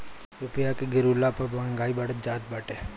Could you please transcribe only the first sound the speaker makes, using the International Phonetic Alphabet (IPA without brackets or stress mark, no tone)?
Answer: ɾ